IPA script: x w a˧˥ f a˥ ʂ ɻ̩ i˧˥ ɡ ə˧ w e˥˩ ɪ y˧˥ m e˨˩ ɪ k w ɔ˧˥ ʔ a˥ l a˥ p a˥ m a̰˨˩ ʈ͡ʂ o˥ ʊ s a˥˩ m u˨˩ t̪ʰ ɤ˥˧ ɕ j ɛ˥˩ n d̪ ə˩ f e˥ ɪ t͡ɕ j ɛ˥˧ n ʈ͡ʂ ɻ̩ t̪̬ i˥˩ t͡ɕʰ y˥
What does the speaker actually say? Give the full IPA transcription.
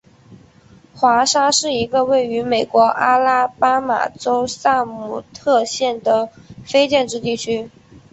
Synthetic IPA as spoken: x w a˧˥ ʂ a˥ ʂ ɻ̩ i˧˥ ɡ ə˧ w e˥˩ ɪ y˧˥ m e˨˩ ɪ k w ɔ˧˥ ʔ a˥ l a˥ p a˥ m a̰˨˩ ʈ͡ʂ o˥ ʊ s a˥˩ m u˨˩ t̪ʰ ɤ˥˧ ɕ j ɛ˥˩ n d̪ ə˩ f e˥ ɪ t͡ɕ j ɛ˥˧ n ʈ͡ʂ ɻ̩ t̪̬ i˥˩ t͡ɕʰ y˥

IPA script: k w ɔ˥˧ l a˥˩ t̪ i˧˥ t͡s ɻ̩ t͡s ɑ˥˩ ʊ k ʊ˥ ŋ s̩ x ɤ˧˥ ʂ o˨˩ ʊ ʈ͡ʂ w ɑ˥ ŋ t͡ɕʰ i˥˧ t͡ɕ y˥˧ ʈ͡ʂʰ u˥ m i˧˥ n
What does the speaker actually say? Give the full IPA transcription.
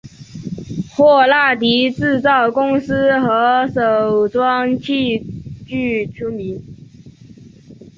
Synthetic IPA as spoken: x w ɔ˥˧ l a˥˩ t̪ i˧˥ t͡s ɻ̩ t͡s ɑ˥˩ ʊ k ʊ˥ ŋ s̩ x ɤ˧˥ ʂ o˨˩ ʊ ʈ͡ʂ w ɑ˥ ŋ t͡ɕʰ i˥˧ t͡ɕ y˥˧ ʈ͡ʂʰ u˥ m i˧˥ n

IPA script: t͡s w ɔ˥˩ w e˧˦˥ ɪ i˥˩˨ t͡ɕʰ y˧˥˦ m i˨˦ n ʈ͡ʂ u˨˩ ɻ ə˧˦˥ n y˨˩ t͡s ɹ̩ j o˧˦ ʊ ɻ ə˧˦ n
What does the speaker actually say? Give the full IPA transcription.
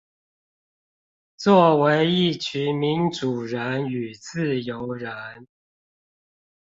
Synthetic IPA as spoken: t͡s w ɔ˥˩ w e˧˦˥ ɪ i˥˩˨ t͡ɕʰ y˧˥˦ m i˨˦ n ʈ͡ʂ u˨˩ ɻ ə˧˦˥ n y˨˩ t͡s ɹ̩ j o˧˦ ʊ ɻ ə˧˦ n

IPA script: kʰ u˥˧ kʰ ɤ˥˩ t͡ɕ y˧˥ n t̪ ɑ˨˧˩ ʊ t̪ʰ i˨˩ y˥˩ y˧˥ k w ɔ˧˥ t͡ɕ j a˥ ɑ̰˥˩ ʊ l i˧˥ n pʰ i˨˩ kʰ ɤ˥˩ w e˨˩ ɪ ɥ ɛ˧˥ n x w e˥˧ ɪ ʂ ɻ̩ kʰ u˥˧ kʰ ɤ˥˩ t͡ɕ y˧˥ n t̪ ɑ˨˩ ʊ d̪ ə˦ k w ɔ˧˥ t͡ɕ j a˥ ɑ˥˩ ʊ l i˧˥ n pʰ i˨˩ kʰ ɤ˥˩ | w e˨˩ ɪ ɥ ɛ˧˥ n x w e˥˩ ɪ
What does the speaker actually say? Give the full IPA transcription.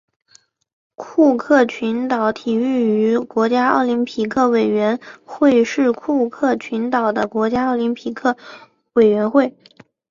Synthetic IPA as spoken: kʰ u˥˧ kʰ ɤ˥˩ t͡ɕʰ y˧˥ n t̪ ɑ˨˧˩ ʊ t̪ʰ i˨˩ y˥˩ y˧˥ k w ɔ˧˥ t͡ɕ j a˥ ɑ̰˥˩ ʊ l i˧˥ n pʰ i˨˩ kʰ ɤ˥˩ w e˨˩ ɪ ɥ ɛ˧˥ n x w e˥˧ ɪ ʂ ɻ̩ kʰ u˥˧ kʰ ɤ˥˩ t͡ɕʰ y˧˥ n t̪ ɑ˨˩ ʊ d̪ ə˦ k w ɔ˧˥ t͡ɕ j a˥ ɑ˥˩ ʊ l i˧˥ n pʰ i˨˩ kʰ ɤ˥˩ | w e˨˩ ɪ ɥ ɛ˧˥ n x w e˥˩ ɪ

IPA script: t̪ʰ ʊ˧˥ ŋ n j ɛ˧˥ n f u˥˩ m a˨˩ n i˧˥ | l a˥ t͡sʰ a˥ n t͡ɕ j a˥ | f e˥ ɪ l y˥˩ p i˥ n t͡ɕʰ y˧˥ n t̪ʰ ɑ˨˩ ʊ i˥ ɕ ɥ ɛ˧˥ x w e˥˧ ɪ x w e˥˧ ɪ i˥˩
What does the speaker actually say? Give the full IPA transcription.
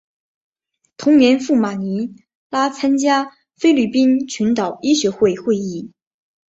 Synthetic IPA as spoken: t̪ʰ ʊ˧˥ ŋ n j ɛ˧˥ n f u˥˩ m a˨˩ n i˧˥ | l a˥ t͡sʰ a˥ n t͡ɕ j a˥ | f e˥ ɪ l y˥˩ p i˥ n t͡ɕʰ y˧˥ n t̪ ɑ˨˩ ʊ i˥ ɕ ɥ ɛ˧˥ x w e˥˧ ɪ x w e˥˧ ɪ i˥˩

